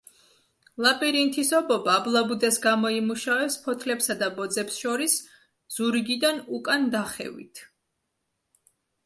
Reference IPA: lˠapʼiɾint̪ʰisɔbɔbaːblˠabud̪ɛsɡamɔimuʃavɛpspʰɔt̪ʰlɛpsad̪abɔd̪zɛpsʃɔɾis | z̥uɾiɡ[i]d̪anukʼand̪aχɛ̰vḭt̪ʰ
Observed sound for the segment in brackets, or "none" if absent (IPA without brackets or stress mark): i